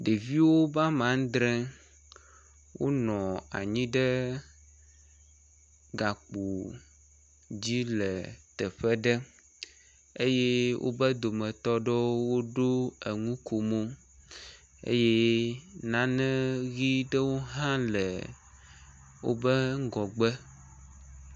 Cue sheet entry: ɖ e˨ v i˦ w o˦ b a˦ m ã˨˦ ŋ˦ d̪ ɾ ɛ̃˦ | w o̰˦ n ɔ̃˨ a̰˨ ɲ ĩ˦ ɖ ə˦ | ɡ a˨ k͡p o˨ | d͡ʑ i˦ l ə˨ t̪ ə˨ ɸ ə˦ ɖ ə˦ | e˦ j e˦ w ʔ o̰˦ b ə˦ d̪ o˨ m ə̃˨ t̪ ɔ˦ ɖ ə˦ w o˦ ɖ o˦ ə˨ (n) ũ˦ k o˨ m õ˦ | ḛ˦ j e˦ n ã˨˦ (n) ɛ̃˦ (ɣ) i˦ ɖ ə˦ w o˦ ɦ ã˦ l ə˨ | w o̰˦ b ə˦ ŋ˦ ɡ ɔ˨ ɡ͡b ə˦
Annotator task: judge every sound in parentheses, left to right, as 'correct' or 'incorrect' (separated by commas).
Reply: incorrect, correct, correct